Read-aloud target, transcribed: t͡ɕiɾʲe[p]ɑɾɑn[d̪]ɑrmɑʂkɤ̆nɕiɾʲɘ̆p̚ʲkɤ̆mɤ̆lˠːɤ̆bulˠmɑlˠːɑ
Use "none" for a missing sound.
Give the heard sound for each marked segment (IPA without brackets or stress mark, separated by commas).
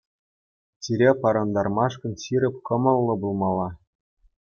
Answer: p, d̪